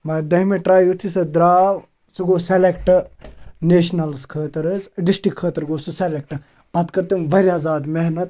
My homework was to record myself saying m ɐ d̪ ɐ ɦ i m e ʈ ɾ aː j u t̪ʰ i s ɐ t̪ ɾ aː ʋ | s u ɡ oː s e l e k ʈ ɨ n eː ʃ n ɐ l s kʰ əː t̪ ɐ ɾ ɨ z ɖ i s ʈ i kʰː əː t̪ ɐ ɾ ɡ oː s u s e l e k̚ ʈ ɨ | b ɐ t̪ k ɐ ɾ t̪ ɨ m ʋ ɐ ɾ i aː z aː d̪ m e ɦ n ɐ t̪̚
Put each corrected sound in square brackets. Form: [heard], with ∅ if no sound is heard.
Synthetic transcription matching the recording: m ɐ d̪ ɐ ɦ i m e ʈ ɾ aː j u t̪ʰ i s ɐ [d̪] ɾ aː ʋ | s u ɡ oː s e l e k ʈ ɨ n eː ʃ n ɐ l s kʰ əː t̪ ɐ ɾ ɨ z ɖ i s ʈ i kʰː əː t̪ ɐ ɾ ɡ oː s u s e l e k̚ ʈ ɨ | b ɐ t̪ k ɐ ɾ t̪ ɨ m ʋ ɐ ɾ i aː z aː d̪ m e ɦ n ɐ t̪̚

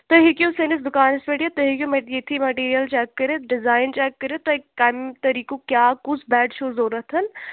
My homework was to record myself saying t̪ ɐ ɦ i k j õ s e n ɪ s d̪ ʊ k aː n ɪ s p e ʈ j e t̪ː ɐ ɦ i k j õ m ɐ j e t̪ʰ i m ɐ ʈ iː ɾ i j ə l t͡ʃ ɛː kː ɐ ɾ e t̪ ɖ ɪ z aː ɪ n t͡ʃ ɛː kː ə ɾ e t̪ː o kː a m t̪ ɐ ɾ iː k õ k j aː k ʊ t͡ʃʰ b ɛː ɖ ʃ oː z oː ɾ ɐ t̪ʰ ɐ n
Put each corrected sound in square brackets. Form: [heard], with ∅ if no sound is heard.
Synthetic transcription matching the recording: t̪ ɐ ɦ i k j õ s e n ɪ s d̪ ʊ k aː n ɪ s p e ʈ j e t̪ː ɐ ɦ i k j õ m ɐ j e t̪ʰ i m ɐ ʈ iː ɾ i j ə l t͡ʃ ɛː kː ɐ ɾ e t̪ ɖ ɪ z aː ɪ n t͡ʃ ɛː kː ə ɾ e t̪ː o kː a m t̪ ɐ ɾ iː k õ k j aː k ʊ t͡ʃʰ b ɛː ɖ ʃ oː z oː ɾ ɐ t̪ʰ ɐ n

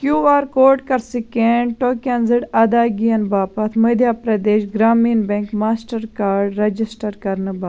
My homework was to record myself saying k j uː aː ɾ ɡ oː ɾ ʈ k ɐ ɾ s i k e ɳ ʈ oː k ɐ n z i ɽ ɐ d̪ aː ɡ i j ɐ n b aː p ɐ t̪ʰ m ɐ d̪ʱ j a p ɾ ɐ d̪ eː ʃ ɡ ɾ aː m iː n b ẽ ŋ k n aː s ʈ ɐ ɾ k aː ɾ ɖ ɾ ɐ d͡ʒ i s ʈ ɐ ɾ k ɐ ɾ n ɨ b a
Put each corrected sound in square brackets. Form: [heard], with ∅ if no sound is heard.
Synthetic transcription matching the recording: k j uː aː ɾ [k] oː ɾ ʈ k ɐ ɾ s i k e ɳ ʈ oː k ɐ n z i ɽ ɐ d̪ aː ɡ i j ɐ n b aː p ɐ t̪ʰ m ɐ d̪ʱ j a p ɾ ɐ d̪ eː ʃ ɡ ɾ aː m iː n b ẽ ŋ k [m] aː s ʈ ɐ ɾ k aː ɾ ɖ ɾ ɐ d͡ʒ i s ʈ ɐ ɾ k ɐ ɾ n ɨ b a

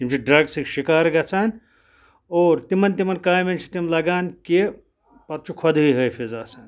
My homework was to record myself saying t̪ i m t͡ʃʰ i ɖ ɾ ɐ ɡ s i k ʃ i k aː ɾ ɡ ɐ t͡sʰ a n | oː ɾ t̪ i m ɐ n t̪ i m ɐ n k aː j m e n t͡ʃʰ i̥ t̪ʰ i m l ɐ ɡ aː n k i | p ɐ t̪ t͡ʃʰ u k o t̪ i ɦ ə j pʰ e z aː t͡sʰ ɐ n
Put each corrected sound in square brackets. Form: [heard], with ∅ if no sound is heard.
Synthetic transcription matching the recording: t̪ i m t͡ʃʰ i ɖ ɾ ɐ ɡ s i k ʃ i k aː ɾ ɡ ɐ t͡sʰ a n | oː ɾ t̪ i m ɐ n t̪ i m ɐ n k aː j m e n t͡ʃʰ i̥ [t̪] i m l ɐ ɡ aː n k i | p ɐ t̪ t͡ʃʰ u [kʰ] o [d̪] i ɦ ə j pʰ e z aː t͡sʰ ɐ n

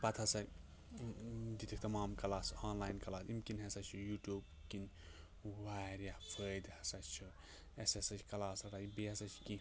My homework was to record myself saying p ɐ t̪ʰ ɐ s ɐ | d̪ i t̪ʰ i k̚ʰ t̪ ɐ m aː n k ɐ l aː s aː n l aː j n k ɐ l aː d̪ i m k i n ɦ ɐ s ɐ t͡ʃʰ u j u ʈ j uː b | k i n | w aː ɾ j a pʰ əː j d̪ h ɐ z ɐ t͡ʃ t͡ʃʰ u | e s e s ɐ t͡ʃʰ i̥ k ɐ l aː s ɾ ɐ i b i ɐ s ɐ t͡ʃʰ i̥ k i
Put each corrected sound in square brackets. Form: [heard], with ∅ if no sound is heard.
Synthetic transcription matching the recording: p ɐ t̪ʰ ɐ s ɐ | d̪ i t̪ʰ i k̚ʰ t̪ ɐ m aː [m] k ɐ l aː s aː n l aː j n k ɐ l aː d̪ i m k i n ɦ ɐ s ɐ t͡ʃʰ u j u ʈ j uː b | k i n | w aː ɾ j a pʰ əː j d̪ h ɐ [s] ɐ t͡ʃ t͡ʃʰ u | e s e s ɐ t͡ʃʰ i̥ k ɐ l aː s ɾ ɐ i b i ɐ s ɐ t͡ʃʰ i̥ k i

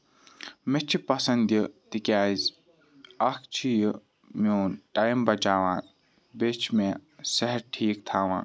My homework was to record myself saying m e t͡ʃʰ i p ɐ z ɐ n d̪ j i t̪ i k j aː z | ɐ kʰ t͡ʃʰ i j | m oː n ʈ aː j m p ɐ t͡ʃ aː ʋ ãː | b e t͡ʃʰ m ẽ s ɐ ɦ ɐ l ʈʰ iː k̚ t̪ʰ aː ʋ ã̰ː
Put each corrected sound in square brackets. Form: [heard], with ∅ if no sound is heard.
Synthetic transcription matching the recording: m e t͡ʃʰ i p ɐ [s] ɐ n d̪ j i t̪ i k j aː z | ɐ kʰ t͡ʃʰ i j | m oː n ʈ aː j m [b] ɐ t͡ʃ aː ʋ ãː | b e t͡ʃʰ m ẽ s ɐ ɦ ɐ [ɾ] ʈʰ iː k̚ t̪ʰ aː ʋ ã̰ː

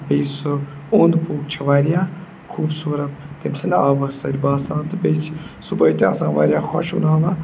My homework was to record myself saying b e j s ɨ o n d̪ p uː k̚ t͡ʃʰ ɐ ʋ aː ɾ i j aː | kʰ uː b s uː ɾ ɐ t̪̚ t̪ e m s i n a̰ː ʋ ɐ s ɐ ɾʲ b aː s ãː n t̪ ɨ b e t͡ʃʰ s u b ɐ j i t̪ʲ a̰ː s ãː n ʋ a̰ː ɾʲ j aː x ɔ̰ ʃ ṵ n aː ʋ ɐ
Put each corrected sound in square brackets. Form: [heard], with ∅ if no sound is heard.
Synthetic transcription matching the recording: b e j s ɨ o n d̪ p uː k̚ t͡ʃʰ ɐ ʋ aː ɾ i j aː | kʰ uː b s uː ɾ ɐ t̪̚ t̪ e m s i n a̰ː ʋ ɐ s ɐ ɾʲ b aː s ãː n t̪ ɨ b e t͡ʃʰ s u b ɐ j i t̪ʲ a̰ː s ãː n ʋ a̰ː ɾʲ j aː x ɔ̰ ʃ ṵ n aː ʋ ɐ

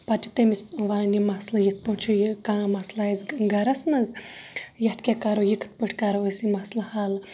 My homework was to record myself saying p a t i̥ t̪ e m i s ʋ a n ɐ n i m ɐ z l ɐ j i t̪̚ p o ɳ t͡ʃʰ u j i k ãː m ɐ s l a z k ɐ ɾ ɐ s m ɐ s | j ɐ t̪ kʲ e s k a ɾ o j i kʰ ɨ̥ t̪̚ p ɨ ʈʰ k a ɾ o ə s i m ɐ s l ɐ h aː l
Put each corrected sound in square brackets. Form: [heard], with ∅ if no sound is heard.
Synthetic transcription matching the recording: p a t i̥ t̪ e m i s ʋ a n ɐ n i m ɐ [s] l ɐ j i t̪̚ p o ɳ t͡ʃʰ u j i k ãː m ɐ s l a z [ɡ] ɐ ɾ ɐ s m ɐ [z] | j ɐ t̪ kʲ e [∅] k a ɾ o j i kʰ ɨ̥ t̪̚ p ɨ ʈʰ k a ɾ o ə s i m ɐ s l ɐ h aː l

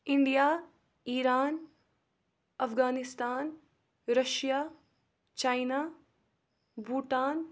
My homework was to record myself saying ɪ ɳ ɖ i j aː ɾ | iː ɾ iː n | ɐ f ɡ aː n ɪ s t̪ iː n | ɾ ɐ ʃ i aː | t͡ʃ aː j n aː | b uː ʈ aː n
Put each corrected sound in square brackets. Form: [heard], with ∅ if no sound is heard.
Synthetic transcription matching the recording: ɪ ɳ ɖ i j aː [∅] | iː ɾ [aː] n | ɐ f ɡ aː n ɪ s t̪ [aː] n | ɾ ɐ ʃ [j] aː | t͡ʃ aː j n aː | b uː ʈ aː n

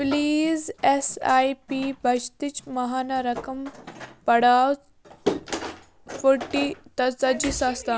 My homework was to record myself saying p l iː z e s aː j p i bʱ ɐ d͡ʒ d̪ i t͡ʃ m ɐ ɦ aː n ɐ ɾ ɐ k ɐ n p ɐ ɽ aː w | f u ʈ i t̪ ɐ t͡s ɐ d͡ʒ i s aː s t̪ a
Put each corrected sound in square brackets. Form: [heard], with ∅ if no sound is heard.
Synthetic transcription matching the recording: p l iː z e s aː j p i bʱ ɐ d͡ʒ [t̪] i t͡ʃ m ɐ ɦ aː n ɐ ɾ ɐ k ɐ [m] p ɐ ɽ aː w | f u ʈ i t̪ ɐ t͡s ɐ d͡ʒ i s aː s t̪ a

